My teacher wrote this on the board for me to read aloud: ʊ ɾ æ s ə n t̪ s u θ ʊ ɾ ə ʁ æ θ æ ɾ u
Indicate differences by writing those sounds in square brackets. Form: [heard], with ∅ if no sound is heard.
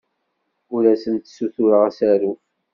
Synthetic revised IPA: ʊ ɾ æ s ə n t̪ s u θ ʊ ɾ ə ʁ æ [s] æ ɾ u